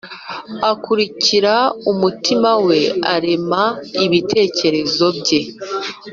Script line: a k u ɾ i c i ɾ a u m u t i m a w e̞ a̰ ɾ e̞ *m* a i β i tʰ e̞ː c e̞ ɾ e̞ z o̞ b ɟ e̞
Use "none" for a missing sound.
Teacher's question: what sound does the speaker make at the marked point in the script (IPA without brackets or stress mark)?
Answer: m